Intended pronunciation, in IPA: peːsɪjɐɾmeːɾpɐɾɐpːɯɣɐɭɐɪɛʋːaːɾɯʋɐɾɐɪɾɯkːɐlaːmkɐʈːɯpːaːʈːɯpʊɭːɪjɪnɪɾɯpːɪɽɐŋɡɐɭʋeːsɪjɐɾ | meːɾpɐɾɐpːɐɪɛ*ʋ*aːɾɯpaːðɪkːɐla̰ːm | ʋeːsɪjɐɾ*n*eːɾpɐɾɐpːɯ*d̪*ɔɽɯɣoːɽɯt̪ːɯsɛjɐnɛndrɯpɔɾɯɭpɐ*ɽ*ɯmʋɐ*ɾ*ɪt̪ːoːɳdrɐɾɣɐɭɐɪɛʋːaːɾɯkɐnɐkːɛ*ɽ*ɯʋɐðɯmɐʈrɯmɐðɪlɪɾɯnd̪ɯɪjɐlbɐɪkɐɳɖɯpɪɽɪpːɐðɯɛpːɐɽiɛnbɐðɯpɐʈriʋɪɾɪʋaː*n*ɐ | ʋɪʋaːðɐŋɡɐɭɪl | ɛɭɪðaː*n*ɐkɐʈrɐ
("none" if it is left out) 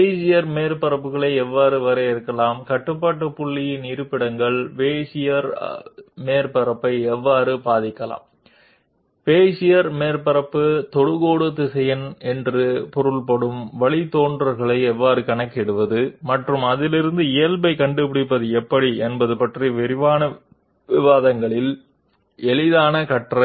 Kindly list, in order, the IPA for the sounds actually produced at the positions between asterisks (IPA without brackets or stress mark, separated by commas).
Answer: ʋː, m, t̪, ɽ, ɭ, ɽ, n, n